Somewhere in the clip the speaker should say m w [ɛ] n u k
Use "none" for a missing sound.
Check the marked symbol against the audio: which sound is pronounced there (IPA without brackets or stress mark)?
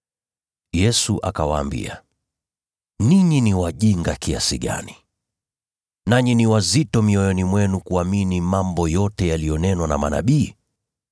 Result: ɛ